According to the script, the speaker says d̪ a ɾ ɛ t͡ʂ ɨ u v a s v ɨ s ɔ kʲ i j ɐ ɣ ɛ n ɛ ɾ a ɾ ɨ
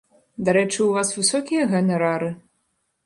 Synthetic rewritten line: d̪ a ɾ ɛ t͡ʂ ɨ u v a s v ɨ s ɔ kʲ i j ɐ ɣ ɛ n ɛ ɾ a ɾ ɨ